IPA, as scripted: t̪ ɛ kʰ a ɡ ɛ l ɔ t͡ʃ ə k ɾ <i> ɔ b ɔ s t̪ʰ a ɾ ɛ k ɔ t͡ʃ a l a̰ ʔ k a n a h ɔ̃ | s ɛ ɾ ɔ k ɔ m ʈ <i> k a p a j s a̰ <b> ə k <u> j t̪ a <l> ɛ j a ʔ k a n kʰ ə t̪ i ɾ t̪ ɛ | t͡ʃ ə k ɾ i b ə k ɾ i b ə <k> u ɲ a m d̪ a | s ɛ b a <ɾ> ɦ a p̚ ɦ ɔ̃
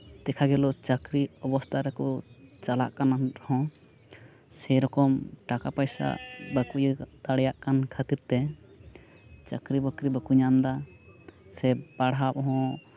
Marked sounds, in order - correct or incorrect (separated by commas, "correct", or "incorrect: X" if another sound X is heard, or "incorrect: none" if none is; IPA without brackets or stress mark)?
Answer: correct, incorrect: a, correct, correct, incorrect: ɽ, correct, incorrect: ɽ